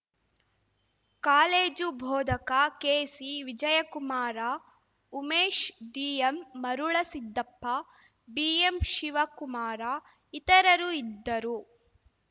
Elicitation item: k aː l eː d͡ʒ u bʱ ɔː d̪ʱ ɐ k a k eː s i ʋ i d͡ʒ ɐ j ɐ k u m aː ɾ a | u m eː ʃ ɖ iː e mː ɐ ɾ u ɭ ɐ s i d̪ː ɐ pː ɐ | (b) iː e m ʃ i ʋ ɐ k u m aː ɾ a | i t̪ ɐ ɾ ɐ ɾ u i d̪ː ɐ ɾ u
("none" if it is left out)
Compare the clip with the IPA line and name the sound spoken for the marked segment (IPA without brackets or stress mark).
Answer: b